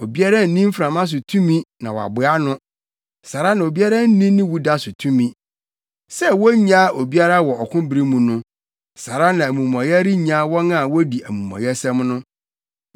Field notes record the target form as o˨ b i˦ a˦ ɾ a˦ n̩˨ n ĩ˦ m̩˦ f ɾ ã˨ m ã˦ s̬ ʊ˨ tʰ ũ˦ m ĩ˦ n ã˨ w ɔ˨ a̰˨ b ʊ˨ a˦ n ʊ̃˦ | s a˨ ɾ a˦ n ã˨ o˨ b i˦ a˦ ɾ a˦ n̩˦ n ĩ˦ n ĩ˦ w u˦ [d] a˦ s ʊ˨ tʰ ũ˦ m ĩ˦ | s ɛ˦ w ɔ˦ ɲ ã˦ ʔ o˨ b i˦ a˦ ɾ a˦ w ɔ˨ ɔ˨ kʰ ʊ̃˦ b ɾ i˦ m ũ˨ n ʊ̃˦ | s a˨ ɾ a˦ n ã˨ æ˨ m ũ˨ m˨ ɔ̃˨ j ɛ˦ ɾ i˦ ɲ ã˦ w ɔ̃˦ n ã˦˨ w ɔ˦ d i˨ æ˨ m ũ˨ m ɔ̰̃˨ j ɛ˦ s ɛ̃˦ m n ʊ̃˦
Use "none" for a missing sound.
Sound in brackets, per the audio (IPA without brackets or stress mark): d